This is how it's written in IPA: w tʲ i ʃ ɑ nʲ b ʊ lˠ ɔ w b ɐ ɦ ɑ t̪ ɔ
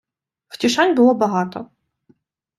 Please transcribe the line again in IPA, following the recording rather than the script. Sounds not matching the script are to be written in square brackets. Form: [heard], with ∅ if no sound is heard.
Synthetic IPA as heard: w tʲ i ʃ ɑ nʲ b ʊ lˠ ɔ [∅] b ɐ ɦ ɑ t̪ ɔ